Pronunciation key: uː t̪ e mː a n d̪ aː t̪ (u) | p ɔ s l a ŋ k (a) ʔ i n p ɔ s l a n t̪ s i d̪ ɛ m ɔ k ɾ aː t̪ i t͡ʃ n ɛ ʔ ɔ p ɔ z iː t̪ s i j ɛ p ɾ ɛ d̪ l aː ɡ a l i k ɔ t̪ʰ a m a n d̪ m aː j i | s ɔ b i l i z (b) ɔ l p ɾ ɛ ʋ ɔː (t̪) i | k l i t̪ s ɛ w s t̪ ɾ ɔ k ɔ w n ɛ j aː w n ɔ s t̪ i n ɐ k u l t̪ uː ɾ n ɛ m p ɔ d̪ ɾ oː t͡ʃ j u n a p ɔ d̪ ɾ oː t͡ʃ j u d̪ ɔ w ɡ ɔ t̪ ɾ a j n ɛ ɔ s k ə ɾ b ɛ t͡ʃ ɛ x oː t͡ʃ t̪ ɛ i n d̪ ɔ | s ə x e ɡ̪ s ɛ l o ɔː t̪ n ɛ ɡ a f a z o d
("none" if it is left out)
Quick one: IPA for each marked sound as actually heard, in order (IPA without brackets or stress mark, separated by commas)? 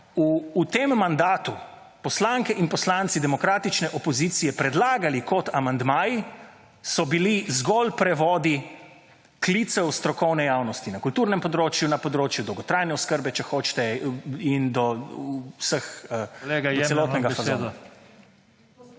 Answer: u, ɛ, ɡ, d̪